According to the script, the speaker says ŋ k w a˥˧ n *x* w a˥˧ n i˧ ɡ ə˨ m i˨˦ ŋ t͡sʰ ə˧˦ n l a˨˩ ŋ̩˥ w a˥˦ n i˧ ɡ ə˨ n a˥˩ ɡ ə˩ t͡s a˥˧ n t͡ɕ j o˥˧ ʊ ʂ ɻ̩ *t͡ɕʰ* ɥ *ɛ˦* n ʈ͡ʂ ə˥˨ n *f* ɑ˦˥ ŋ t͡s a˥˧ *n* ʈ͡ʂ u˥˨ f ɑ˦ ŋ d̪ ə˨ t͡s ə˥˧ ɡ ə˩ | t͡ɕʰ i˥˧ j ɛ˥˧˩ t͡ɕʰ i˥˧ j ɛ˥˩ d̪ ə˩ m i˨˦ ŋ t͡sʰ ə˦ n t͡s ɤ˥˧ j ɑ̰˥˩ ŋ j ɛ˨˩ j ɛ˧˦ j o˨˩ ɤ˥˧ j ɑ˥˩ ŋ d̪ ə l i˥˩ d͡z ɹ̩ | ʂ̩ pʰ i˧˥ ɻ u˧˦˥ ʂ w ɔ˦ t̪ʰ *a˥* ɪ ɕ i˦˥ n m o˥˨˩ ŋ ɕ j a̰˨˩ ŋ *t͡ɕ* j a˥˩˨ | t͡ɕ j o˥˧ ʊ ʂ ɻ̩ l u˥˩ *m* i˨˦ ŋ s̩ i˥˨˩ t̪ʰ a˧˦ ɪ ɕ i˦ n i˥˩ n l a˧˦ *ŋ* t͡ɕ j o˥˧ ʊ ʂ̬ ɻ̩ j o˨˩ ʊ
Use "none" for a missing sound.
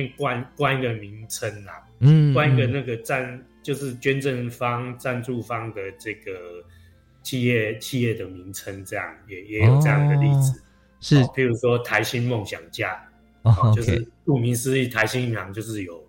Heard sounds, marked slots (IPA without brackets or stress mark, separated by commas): k, t͡ɕ, ɛ˦, f, n, a˧˦, t͡ɕ, m, ŋ